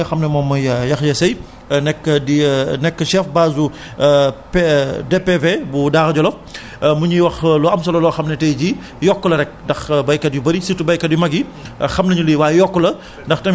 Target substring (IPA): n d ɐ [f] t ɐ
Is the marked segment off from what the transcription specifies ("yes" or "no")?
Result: yes